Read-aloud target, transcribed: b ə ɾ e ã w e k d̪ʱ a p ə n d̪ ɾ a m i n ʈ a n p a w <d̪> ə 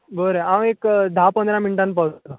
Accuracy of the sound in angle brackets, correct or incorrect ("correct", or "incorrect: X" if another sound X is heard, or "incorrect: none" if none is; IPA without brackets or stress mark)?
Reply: incorrect: t̪